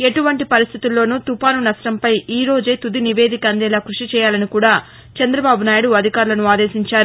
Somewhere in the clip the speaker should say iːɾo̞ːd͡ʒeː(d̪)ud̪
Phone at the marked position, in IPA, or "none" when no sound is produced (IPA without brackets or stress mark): t̪